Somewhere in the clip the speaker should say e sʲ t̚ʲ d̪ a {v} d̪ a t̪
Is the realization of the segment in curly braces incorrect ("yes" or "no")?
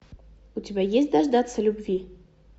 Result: yes